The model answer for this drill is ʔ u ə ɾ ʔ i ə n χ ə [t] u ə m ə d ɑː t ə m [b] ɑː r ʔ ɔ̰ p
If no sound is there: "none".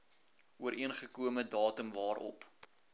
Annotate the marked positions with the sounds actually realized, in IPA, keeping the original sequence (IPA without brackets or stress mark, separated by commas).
k, v